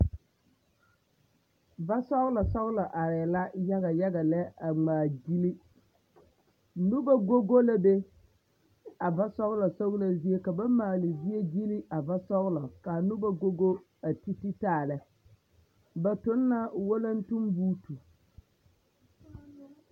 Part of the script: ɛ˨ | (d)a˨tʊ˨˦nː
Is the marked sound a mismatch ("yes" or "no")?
yes